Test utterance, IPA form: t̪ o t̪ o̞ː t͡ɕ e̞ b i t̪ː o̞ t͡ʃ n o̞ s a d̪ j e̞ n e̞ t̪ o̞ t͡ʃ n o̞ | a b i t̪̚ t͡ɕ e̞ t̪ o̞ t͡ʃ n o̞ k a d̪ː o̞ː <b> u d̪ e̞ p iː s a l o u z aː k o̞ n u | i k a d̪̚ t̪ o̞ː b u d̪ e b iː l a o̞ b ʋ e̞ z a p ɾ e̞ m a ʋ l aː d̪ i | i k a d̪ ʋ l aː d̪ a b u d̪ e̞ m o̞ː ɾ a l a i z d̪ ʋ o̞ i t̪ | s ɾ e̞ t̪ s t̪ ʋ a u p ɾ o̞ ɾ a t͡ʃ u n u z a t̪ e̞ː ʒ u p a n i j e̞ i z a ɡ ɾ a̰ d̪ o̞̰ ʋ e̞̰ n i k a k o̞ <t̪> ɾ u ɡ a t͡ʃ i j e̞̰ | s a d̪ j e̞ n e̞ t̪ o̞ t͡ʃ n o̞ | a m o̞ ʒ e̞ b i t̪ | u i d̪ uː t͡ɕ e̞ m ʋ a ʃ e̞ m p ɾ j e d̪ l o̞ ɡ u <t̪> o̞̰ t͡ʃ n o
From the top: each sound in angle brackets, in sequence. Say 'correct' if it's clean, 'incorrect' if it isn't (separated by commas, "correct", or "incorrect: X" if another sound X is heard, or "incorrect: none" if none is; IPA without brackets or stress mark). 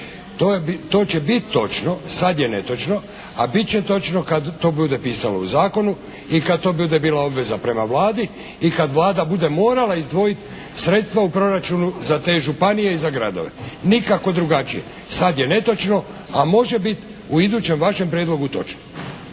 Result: correct, incorrect: d̪, correct